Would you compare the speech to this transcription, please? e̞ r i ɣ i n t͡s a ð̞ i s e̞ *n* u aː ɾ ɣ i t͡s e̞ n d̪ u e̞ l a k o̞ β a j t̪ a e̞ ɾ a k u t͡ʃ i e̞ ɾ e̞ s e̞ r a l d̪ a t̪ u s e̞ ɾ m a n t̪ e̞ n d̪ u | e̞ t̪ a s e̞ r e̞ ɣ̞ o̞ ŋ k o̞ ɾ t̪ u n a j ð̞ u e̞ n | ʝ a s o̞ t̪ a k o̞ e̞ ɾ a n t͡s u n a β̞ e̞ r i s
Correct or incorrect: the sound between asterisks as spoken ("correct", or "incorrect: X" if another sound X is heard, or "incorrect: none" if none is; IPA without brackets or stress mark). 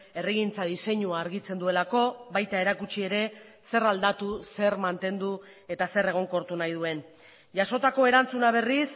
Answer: incorrect: ɲ